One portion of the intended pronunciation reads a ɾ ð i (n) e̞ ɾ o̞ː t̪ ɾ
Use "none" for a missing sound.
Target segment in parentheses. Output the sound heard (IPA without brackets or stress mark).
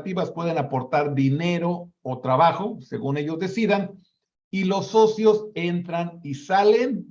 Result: n